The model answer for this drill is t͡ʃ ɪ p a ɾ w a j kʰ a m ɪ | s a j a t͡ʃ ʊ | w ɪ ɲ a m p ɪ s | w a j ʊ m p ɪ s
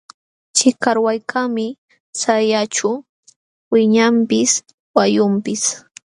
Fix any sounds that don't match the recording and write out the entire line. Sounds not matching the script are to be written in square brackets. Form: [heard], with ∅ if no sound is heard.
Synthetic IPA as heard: t͡ʃ ɪ [k] a ɾ w a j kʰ a m ɪ | s a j a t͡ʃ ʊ | w ɪ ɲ a m p ɪ s | w a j ʊ m p ɪ s